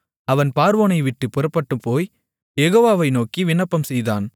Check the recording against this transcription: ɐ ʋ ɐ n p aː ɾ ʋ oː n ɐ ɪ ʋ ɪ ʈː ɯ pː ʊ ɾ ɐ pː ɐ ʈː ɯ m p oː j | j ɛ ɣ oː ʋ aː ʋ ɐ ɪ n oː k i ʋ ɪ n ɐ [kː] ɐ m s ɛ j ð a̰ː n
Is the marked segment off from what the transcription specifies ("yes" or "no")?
yes